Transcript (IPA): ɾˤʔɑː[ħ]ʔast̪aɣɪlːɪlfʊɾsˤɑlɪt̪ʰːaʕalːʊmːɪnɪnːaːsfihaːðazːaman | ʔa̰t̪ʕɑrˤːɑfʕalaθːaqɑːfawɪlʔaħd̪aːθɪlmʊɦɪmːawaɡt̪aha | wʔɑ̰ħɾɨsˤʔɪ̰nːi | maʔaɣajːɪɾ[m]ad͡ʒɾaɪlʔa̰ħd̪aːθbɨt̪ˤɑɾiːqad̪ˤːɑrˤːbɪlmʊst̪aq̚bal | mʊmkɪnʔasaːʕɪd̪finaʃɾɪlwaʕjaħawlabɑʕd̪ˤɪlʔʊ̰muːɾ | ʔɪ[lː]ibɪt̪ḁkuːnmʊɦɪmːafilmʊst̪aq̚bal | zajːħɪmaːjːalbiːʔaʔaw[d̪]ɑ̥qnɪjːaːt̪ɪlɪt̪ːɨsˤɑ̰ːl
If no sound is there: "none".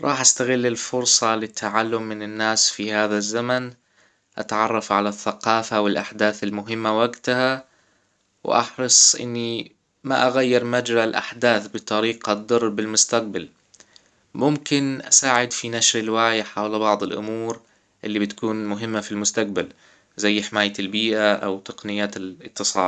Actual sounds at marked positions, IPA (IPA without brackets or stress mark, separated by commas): ħ, m, lː, t̪